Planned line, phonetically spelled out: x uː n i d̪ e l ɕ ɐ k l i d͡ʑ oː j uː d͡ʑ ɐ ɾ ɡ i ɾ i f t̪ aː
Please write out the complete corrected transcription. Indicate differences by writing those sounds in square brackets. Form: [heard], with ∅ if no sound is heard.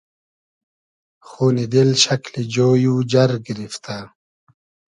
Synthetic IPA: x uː n i d̪ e l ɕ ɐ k l i d͡ʑ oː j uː d͡ʑ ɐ ɾ ɡ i ɾ i f t̪ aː